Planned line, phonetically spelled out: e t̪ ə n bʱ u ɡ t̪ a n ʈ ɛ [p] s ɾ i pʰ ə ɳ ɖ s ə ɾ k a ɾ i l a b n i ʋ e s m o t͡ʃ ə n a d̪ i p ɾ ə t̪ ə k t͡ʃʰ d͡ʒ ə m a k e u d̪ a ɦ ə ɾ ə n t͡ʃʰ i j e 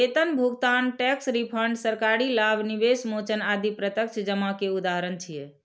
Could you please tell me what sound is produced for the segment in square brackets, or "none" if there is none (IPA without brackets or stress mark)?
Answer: k